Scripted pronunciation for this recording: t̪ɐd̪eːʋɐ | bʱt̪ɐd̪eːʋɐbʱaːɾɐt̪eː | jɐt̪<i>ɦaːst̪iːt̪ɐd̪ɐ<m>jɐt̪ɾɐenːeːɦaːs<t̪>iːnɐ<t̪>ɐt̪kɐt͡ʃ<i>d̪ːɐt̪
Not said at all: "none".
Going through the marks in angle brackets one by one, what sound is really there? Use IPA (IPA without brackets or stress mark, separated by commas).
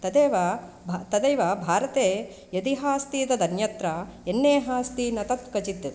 i, n, t̪, t̪, i